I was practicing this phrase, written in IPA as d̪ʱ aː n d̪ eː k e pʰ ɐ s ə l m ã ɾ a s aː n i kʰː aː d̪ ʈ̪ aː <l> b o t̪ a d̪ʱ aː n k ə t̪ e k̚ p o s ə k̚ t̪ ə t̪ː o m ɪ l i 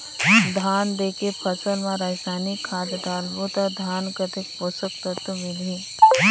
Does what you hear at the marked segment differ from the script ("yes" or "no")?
no